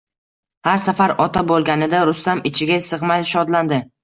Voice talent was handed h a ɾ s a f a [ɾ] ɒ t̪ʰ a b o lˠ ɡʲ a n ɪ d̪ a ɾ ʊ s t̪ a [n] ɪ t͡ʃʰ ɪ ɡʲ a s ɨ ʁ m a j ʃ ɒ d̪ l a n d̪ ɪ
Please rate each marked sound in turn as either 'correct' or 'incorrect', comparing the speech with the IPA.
correct, incorrect

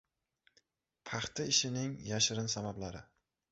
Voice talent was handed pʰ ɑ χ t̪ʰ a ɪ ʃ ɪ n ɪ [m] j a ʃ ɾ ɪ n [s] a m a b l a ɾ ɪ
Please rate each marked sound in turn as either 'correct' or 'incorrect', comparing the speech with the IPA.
incorrect, correct

